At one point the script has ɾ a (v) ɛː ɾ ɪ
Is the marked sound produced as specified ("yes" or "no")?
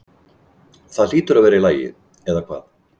yes